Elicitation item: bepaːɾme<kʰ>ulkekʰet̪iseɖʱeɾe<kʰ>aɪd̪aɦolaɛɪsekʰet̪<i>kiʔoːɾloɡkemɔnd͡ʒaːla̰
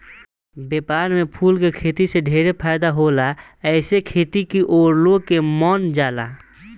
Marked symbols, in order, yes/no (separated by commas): no, no, yes